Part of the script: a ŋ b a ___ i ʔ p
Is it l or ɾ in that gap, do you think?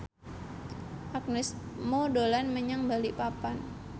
l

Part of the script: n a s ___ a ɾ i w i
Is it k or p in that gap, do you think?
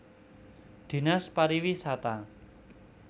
p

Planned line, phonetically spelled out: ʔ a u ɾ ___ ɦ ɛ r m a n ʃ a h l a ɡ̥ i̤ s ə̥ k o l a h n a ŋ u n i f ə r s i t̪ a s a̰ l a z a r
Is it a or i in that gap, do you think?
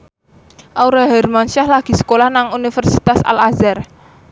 a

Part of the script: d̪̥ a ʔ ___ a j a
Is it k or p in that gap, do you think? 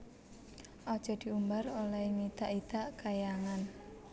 k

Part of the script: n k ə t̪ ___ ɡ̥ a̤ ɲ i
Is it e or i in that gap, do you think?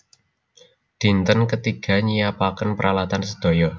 i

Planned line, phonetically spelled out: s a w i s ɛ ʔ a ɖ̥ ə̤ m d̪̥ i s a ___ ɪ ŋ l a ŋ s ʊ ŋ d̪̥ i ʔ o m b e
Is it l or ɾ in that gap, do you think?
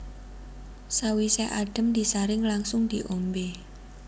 ɾ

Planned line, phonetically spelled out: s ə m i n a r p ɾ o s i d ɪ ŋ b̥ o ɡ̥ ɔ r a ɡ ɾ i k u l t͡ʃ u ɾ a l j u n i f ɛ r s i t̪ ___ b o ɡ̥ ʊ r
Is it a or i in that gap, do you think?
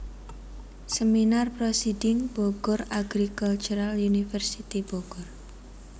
i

